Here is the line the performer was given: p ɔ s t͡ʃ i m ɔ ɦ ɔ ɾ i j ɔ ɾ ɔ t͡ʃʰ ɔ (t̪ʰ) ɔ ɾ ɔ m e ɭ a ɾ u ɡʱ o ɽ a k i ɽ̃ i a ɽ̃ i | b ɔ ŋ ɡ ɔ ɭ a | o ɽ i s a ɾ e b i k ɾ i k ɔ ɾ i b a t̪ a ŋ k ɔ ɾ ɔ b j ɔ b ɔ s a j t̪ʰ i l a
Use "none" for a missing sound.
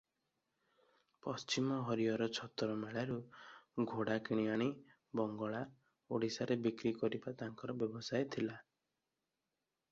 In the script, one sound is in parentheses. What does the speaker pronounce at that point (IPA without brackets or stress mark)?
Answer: t̪